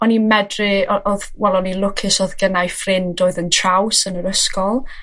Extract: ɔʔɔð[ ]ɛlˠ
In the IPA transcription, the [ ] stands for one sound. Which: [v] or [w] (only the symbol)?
w